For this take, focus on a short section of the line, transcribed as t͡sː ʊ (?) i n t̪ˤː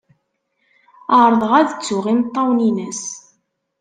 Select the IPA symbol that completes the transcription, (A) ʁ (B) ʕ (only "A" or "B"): A